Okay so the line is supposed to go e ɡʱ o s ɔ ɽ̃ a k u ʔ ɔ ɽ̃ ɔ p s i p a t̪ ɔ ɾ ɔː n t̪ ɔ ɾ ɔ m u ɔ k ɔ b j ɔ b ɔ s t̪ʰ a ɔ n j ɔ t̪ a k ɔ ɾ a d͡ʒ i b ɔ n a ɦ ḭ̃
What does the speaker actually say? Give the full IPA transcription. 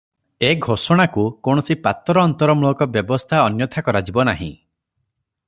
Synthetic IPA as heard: e ɡʱ o s ɔ ɽ̃ a k u k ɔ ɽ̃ ɔ s i p a t̪ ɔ ɾ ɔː n t̪ ɔ ɾ ɔ m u ɔ k ɔ b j ɔ b ɔ s t̪ʰ a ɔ n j ɔ t̪ʰ a k ɔ ɾ a d͡ʒ i b ɔ n a ɦ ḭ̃